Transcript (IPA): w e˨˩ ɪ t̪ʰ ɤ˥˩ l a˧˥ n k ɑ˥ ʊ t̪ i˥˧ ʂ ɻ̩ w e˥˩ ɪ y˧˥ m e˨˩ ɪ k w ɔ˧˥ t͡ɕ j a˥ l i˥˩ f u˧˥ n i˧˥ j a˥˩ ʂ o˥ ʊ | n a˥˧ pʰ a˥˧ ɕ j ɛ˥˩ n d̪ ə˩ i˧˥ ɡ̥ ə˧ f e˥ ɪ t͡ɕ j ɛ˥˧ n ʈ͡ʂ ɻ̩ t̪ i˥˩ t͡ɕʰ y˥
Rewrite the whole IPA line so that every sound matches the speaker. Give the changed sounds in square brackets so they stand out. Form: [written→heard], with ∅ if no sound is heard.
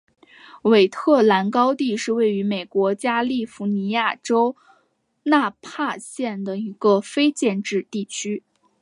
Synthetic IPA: w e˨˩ ɪ t̪ʰ ɤ˥˩ l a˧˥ n k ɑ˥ ʊ t̪ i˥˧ ʂ ɻ̩ w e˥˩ ɪ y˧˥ m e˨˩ ɪ k w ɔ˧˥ t͡ɕ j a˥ l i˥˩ f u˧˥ n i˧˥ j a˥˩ [ʂ→ʈ͡ʂ] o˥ ʊ | n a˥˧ pʰ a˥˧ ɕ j ɛ˥˩ n d̪ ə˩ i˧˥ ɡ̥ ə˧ f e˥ ɪ t͡ɕ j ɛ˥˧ n ʈ͡ʂ ɻ̩ t̪ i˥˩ t͡ɕʰ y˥